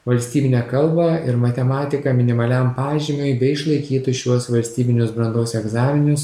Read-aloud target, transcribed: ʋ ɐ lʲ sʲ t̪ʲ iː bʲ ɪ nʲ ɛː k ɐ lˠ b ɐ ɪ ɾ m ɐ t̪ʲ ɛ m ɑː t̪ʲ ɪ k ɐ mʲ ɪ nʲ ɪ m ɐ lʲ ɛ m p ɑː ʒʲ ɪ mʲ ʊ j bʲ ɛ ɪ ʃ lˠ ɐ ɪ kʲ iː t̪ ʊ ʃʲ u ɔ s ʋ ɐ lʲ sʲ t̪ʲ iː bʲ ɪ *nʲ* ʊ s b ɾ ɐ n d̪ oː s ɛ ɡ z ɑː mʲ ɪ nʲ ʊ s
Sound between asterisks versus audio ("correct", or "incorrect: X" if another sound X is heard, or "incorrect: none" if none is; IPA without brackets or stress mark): correct